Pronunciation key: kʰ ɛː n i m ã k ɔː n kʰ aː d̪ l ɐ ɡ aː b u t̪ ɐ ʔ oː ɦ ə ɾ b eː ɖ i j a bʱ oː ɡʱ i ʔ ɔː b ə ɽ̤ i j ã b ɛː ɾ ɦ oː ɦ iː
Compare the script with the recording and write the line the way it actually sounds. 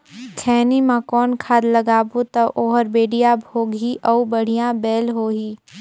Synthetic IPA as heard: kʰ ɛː n i m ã k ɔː n kʰ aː d̪ l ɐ ɡ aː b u t̪ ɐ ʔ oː ɦ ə ɾ b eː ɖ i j a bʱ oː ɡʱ i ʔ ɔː b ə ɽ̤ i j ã b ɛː l ɦ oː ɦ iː